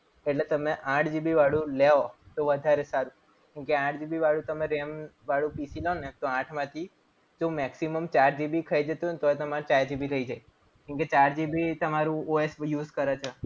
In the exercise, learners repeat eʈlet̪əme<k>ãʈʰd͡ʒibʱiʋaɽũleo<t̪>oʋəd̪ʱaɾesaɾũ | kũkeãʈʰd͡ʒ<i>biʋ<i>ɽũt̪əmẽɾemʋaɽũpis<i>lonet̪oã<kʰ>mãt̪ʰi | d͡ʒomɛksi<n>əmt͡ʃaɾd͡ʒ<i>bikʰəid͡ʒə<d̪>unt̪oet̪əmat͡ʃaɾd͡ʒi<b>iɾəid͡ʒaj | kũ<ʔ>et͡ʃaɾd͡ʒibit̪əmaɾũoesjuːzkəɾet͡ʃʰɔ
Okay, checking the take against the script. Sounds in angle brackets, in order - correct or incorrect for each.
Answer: incorrect: ʔ, correct, correct, incorrect: a, correct, incorrect: ʈʰ, incorrect: m, correct, incorrect: t̪, correct, incorrect: k

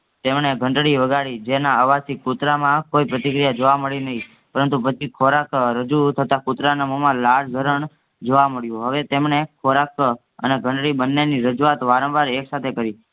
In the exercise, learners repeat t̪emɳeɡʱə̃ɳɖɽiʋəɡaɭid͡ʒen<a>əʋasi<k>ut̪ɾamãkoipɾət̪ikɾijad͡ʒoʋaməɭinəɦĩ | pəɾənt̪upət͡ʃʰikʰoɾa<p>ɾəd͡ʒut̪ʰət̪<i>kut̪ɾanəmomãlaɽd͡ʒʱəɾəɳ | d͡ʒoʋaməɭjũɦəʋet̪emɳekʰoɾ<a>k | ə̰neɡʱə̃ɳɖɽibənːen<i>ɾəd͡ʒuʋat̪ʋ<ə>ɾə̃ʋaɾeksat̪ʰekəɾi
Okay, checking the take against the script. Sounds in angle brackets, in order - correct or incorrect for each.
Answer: correct, correct, incorrect: k, incorrect: a, correct, correct, incorrect: a

